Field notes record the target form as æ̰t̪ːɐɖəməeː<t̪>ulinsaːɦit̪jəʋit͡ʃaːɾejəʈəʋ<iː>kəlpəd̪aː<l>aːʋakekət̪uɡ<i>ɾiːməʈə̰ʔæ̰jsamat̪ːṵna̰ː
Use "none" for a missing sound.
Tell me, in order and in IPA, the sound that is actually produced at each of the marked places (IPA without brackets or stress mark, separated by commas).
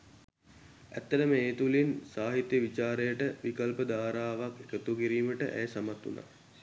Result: t̪, i, ɾ, i